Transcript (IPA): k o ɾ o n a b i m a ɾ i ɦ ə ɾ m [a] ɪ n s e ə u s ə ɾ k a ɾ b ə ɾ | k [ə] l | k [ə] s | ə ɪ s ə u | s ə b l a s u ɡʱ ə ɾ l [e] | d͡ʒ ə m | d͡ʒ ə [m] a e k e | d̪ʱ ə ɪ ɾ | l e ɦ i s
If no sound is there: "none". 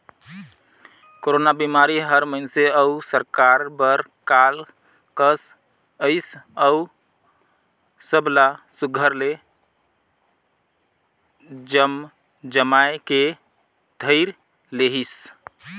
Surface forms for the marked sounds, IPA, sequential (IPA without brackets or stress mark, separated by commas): ə, a, ə, e, m